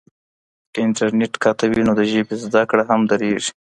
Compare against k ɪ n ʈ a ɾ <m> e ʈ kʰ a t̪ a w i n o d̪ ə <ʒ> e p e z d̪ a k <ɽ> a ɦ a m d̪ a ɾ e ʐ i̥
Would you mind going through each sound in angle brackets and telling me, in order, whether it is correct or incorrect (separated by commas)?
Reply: incorrect, correct, correct